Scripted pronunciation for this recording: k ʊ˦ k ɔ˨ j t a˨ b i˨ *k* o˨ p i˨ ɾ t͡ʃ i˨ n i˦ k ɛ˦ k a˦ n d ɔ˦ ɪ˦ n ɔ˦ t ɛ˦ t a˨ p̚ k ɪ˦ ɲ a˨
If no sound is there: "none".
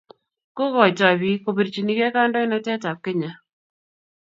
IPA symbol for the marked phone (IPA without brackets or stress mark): k